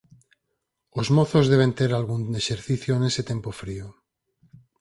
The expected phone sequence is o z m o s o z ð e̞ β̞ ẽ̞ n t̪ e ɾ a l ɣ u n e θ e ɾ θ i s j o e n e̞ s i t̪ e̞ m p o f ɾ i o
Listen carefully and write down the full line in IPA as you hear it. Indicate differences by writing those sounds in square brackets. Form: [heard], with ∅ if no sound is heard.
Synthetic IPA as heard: o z m o [θ] o z ð e̞ β̞ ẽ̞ n t̪ e ɾ a l ɣ u n e [ʃ] e ɾ θ i [θ] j o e n e̞ s [e] t̪ e̞ m p o f ɾ i o